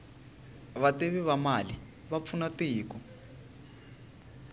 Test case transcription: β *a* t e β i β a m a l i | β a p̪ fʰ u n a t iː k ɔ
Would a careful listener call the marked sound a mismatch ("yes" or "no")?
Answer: no